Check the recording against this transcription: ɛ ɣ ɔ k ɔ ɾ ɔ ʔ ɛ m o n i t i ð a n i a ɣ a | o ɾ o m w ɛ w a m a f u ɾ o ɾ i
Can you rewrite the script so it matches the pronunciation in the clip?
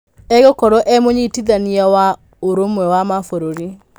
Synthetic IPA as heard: ɛ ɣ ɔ k ɔ ɾ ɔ ʔ ɛ m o ɲ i t i ð a n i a w a | o ɾ o m w ɛ w a m a f o ɾ o ɾ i